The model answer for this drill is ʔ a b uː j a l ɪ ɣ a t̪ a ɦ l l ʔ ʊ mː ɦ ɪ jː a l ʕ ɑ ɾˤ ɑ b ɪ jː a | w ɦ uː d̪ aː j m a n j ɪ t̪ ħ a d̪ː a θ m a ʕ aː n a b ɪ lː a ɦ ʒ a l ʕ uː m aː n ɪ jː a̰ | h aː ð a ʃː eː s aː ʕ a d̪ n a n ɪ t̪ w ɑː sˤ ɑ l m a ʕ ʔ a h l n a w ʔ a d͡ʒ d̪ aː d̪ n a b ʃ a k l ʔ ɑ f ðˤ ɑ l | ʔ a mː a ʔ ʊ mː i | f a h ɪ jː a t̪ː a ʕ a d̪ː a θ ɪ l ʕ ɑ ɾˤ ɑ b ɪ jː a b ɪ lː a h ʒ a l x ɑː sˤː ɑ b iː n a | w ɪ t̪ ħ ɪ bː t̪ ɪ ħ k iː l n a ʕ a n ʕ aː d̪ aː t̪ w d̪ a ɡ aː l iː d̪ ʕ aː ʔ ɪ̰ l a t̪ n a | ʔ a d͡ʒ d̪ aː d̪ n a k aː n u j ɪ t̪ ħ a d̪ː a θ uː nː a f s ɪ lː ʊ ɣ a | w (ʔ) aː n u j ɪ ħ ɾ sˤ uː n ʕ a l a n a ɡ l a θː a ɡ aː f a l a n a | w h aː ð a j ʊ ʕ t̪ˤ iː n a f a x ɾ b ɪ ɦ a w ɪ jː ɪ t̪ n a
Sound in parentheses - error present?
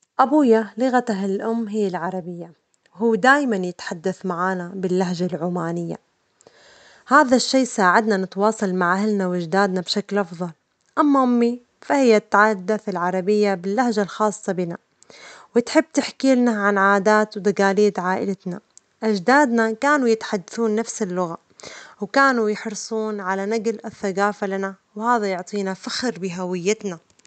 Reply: yes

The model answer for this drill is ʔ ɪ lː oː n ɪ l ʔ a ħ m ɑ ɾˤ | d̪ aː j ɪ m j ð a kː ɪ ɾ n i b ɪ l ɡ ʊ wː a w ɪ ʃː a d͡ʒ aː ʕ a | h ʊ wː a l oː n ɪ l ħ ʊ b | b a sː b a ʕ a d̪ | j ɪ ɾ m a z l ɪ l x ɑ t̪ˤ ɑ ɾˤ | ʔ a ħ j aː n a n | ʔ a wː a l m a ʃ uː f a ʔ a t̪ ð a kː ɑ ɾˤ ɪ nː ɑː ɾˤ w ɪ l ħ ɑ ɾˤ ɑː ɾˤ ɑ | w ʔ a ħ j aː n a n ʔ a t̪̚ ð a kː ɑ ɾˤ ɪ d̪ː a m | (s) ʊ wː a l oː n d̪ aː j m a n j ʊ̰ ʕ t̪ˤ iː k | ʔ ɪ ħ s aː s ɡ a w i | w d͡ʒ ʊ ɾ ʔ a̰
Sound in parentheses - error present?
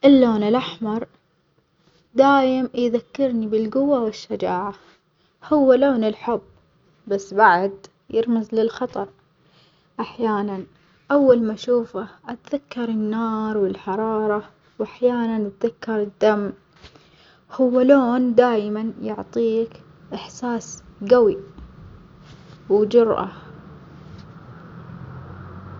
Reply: yes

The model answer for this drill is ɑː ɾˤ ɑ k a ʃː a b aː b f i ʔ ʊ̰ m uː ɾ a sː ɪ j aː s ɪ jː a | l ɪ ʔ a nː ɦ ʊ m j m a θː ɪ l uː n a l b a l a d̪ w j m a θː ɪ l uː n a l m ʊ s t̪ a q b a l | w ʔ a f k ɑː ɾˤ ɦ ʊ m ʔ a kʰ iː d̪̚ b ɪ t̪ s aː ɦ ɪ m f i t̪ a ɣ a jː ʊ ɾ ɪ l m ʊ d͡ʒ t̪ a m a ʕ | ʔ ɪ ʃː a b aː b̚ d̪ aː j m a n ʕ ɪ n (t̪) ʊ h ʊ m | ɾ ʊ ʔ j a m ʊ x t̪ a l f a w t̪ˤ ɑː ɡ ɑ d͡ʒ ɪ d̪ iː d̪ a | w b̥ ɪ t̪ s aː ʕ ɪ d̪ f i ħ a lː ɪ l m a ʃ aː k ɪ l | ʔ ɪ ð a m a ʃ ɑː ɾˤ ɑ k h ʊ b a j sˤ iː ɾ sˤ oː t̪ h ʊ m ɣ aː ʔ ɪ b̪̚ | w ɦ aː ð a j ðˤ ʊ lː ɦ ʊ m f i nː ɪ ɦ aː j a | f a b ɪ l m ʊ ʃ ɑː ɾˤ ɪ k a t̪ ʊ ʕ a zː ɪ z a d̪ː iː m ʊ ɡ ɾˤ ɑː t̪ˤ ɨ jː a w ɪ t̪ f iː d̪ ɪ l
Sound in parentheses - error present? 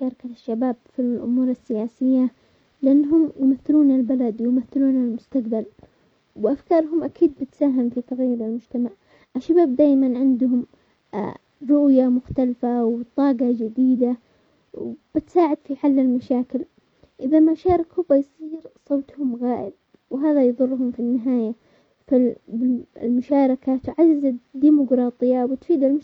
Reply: yes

